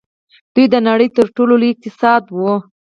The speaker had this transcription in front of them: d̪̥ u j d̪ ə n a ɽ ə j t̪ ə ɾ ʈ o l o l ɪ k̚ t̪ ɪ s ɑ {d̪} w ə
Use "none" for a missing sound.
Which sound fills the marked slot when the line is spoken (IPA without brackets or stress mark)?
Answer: d̪